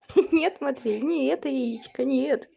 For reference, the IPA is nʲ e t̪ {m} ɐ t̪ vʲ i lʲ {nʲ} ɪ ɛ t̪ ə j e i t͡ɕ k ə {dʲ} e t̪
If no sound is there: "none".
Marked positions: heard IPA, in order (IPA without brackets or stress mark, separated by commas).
m, nʲ, nʲ